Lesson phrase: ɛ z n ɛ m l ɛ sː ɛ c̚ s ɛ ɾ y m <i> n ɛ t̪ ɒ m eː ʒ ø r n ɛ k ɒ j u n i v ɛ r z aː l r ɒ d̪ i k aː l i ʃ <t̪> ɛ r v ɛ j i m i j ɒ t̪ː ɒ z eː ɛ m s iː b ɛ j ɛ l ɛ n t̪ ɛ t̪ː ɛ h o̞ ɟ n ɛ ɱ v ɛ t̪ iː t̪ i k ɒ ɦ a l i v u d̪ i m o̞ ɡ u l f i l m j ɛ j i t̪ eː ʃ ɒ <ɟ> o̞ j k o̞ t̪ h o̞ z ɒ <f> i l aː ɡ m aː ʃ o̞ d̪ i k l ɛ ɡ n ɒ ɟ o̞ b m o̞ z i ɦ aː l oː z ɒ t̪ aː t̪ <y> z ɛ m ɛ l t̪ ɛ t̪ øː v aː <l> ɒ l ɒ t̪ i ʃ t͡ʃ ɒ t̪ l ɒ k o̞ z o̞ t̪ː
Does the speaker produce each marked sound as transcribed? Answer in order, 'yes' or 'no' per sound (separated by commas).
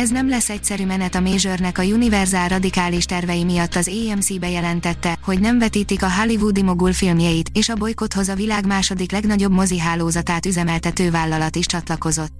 no, yes, no, no, yes, no